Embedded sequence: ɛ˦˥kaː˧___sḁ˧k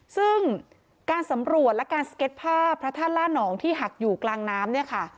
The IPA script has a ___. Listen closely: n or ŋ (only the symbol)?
n